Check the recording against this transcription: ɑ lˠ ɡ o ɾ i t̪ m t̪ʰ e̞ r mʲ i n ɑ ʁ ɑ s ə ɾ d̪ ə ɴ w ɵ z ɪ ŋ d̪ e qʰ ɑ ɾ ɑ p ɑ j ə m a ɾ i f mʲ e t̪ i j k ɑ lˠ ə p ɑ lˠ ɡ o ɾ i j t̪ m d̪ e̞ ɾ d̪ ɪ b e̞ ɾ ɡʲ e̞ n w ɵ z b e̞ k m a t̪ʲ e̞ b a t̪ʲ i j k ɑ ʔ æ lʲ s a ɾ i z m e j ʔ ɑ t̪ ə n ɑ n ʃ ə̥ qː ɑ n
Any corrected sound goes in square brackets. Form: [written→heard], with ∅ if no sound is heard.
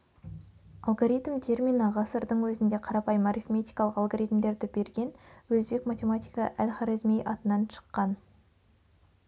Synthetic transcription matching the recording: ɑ lˠ ɡ o ɾ i t̪ m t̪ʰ e̞ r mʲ i n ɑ ʁ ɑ s ə ɾ d̪ ə ɴ w ɵ z ɪ [ŋ→n] d̪ e qʰ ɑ ɾ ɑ p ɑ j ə m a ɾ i f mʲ e t̪ i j k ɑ lˠ ə [p→q] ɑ lˠ ɡ o ɾ i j t̪ m d̪ e̞ ɾ d̪ ɪ b e̞ ɾ ɡʲ e̞ n w ɵ z b e̞ k m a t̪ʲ e̞ [b→m] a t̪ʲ i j k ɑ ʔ æ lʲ [s→χ] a ɾ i z m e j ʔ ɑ t̪ ə n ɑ n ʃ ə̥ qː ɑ n